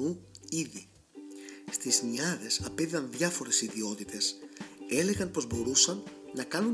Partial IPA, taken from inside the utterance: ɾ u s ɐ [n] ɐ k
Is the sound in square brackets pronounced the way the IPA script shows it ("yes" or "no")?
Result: no